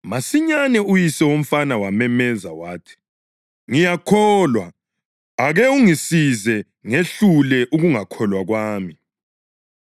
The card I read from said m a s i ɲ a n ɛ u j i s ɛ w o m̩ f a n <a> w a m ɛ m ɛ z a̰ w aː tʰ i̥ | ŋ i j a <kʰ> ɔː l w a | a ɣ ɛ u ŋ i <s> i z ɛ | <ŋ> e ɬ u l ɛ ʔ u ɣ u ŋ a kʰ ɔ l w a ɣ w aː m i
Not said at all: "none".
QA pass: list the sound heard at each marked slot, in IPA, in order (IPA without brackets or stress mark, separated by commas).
a, kʰ, s, ŋ